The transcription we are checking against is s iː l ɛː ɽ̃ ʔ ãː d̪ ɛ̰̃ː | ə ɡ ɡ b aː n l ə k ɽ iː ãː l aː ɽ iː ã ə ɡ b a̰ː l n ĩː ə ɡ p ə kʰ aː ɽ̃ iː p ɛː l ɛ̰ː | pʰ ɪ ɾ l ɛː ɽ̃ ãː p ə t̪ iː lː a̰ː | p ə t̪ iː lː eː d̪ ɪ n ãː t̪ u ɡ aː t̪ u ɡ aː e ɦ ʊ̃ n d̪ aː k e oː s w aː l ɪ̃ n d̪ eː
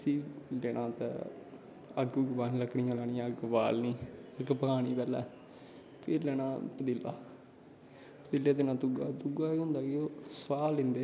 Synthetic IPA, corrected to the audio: s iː l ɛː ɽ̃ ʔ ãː t̪ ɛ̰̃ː | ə ɡ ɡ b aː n l ə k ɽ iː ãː l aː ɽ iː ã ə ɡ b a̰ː l n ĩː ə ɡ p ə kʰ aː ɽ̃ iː p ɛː l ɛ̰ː | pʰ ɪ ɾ l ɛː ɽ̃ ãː p ə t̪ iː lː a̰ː | p ə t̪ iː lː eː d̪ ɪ n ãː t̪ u ɡ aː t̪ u ɡ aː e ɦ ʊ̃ n d̪ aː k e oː s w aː l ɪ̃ n d̪ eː